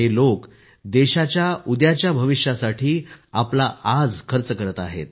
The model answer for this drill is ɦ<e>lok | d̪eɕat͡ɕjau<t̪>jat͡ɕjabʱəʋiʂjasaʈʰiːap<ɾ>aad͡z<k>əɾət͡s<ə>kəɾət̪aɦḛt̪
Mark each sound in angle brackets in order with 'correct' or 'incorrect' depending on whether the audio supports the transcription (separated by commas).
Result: correct, incorrect, incorrect, incorrect, correct